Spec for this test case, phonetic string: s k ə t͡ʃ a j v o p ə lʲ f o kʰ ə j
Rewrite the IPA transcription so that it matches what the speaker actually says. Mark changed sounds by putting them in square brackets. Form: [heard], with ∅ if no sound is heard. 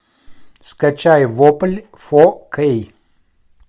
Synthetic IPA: s k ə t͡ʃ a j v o p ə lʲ f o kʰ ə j